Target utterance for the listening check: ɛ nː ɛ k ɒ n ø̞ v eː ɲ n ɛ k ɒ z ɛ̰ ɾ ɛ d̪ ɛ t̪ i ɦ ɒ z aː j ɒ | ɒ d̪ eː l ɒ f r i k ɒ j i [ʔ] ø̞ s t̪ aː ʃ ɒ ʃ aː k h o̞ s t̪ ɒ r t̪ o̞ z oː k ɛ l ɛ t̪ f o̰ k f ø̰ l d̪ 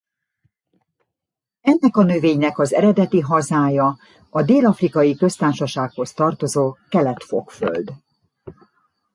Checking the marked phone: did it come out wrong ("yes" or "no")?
yes